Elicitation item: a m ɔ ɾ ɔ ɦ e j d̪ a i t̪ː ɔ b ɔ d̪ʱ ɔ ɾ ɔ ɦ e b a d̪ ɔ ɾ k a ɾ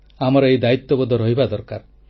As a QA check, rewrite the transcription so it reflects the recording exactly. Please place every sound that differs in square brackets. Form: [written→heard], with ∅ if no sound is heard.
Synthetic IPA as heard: a m ɔ ɾ ɔ [ɦ→∅] e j d̪ a i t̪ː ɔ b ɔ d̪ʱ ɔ ɾ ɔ ɦ [e→i] b a d̪ ɔ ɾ k a ɾ